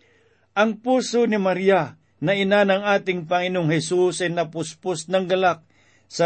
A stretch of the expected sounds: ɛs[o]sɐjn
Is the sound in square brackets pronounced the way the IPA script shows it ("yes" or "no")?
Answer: no